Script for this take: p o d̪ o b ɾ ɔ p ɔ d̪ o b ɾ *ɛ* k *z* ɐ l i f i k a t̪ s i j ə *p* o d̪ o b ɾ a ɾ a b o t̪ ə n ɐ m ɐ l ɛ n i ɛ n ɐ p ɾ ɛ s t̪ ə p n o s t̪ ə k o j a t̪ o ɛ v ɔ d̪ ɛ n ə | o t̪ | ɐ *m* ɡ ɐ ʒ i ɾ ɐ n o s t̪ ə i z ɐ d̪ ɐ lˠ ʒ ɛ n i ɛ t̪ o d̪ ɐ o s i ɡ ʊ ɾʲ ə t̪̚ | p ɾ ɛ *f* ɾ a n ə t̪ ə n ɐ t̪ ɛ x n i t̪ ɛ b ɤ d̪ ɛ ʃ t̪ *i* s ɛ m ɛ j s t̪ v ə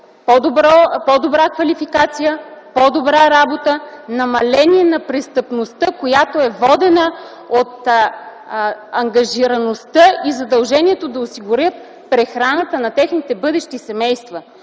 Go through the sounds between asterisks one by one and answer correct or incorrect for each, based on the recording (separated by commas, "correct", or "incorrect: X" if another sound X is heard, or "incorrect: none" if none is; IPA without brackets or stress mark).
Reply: incorrect: a, incorrect: v, correct, incorrect: ŋ, incorrect: x, correct